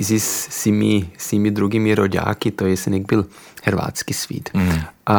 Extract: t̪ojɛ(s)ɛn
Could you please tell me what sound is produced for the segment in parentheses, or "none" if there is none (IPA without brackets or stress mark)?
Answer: s